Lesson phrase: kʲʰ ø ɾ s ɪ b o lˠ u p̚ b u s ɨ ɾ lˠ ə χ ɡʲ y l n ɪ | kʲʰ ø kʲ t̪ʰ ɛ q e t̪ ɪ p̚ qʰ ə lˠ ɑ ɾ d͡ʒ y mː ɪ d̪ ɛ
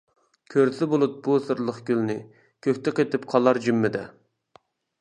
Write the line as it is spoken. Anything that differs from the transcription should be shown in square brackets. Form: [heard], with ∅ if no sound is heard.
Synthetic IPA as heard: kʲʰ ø ɾ s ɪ b o lˠ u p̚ b u s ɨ ɾ lˠ ə χ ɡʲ y l n ɪ | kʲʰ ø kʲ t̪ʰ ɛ q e t̪ ɪ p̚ qʰ [ɑ] lˠ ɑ ɾ d͡ʒ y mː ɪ d̪ ɛ